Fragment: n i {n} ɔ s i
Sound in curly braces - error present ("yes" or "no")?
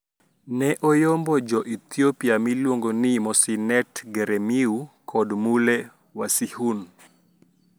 yes